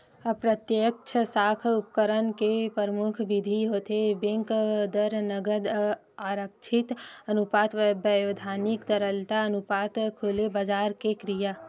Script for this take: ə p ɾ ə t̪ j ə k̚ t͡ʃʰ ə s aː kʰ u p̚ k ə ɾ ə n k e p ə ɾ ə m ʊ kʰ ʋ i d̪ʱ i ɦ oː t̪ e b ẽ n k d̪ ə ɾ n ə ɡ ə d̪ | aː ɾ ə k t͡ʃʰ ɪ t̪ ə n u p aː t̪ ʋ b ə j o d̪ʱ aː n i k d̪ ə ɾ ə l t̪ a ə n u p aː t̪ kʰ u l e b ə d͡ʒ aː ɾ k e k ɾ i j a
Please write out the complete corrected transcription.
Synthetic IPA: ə p ɾ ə t̪ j ə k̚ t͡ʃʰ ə s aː kʰ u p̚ k ə ɾ ə n k e p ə ɾ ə m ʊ kʰ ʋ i d̪ʱ i ɦ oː t̪ e b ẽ ŋ k d̪ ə ɾ n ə ɡ ə d̪ | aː ɾ ə k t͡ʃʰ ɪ t̪ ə n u p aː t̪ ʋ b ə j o d̪ʱ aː n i k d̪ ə ɾ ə l t̪ a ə n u p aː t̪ kʰ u l e b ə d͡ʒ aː ɾ k e k ɾ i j a